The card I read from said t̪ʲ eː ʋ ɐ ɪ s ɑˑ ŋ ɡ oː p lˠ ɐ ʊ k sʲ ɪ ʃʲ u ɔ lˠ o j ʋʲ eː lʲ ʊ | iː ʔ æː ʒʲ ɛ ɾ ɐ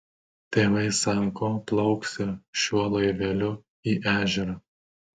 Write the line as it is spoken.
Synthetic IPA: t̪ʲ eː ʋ ɐ ɪ s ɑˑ ŋ k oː p lˠ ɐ ʊ k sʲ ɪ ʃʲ u ɔ lˠ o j ʋʲ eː lʲ ʊ | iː ʔ æː ʒʲ ɛ ɾ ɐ